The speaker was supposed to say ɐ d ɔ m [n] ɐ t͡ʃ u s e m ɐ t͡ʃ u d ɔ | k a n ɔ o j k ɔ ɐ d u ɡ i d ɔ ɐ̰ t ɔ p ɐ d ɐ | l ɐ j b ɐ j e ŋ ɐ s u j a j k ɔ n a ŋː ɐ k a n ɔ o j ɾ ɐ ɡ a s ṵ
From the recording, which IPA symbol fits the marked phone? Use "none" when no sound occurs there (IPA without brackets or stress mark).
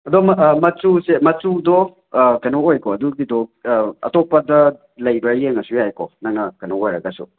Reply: m